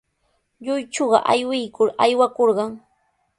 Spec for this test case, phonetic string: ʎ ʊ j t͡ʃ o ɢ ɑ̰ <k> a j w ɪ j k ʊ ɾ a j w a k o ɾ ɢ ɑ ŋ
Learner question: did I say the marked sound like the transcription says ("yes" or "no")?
no